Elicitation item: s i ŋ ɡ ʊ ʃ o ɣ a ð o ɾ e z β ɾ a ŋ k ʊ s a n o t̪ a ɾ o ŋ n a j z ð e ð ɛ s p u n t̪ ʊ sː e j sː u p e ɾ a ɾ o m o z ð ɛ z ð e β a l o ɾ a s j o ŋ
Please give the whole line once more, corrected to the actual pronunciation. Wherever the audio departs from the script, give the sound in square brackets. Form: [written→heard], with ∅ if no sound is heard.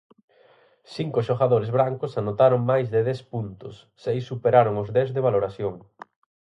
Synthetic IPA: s i ŋ [ɡ→k] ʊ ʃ o ɣ a ð o ɾ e z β ɾ a ŋ k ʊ s a n o t̪ a ɾ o ŋ [n→m] a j z ð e ð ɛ s p u n t̪ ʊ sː e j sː u p e ɾ a ɾ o [m→ŋ] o z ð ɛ z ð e β a l o ɾ a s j o ŋ